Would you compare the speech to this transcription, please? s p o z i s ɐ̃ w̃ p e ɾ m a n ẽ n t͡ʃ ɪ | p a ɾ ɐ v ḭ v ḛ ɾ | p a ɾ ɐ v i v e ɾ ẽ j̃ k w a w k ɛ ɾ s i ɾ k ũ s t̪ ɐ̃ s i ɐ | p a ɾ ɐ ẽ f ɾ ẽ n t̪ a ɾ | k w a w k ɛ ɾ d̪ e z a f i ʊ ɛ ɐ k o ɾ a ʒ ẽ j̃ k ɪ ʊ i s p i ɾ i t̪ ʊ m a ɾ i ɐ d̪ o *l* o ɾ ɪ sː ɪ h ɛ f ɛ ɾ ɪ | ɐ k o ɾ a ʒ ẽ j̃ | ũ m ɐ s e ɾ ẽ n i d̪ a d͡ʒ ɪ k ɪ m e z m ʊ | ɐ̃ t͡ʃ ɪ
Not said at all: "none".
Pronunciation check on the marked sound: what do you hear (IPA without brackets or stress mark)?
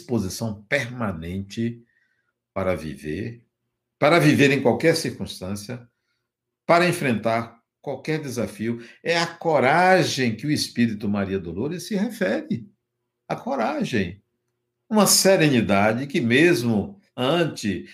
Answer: l